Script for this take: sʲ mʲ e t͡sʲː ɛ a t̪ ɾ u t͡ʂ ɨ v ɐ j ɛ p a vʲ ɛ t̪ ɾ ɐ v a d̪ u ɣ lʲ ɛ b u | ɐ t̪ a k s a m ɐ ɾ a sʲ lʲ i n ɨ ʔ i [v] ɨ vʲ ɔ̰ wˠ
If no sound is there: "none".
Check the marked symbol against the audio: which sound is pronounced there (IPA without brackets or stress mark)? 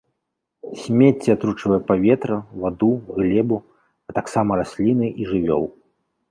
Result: ʐ